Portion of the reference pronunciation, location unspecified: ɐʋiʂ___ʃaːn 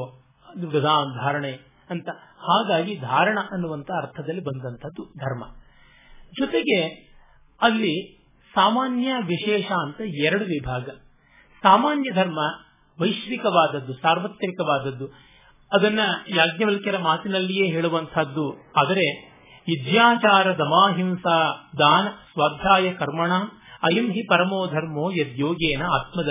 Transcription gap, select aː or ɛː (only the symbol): ɛː